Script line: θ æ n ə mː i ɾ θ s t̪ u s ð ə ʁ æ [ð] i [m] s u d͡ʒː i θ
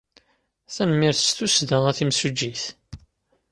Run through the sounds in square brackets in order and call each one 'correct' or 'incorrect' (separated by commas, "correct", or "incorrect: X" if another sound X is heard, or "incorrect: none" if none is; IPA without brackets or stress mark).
incorrect: θ, correct